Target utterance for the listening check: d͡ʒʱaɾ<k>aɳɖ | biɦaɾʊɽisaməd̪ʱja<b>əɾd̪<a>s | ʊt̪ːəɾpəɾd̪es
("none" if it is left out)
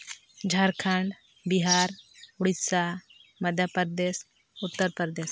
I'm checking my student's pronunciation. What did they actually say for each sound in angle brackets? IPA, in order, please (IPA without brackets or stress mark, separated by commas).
kʰ, p, e